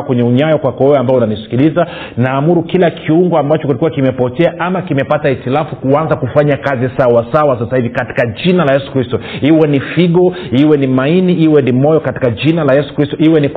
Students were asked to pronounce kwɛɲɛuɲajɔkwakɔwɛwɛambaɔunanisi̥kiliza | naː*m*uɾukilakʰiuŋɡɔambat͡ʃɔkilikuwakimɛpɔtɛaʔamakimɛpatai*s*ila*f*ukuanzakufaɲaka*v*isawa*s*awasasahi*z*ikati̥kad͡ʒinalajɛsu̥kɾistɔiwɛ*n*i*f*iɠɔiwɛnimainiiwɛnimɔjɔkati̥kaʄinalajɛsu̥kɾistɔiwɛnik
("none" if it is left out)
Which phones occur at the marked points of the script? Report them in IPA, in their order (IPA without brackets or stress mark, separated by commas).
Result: m, t, f, z, s, v, n, f